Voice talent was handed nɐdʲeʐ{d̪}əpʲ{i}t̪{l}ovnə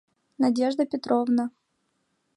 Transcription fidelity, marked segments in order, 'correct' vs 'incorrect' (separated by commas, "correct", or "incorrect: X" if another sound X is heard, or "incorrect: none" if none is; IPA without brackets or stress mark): correct, incorrect: ɪ, incorrect: ɾ